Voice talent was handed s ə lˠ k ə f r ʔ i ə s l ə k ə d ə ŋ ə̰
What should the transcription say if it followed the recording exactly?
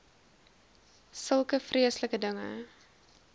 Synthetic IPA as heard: s ə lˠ k ə f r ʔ i ə s l ə k ə d ə ŋ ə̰